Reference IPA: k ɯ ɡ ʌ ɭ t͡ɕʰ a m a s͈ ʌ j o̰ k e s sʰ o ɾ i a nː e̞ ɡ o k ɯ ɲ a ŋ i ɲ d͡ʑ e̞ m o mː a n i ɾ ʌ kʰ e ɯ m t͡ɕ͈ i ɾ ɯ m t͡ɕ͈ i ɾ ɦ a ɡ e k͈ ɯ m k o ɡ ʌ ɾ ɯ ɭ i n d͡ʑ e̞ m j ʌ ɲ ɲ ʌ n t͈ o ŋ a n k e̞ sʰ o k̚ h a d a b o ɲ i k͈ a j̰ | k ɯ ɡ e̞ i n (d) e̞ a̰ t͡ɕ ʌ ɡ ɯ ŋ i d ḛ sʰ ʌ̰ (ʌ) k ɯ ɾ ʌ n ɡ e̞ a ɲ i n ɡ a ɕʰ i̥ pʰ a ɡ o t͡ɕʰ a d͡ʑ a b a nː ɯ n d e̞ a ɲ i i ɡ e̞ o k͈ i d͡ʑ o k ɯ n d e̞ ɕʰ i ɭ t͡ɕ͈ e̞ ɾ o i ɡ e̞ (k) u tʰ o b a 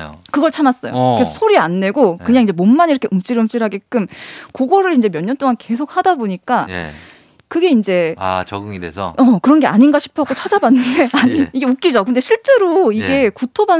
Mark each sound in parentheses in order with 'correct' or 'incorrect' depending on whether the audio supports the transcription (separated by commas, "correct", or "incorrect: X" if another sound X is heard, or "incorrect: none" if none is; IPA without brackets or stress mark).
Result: incorrect: d͡ʑ, correct, correct